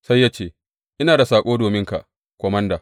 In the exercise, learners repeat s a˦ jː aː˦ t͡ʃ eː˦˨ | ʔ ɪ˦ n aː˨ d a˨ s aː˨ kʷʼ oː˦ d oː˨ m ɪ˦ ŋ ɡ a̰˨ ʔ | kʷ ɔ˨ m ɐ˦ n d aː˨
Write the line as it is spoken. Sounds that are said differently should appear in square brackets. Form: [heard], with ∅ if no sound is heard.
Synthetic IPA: s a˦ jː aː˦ t͡ʃ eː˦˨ | ʔ ɪ˦ n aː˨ d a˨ s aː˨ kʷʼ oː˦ d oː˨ m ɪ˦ ŋ [k] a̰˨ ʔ | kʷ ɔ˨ m ɐ˦ n d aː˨